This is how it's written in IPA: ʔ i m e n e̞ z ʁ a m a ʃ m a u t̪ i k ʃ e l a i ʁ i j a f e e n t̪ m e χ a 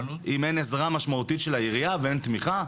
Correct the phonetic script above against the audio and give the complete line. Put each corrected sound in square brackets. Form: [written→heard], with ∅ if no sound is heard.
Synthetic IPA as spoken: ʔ i m e n e̞ z ʁ a m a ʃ m a u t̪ i [k→t] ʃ e l a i ʁ i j a [f→v] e e n t̪ m [e→i] χ a